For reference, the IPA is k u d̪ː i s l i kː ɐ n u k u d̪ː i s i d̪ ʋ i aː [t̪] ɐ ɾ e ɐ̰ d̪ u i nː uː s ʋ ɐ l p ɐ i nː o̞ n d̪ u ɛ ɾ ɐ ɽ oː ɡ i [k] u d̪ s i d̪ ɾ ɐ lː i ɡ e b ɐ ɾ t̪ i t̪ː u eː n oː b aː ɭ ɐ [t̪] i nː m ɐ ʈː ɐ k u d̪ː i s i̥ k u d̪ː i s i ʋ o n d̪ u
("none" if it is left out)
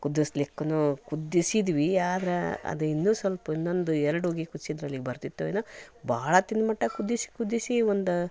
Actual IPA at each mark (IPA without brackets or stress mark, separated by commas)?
d̪, k, t̪